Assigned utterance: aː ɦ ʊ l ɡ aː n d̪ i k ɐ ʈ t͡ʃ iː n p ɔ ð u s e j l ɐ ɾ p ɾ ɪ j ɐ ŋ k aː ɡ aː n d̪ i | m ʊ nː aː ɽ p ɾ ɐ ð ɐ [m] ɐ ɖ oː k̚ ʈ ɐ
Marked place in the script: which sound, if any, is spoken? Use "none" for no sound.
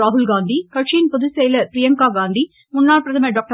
m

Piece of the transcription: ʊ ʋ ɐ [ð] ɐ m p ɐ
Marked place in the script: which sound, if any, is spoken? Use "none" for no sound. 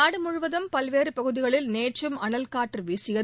ð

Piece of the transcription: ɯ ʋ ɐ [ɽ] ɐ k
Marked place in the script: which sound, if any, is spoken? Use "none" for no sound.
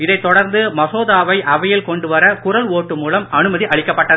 ɾ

